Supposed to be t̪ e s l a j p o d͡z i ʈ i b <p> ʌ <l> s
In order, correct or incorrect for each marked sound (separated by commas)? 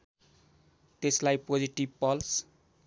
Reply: correct, correct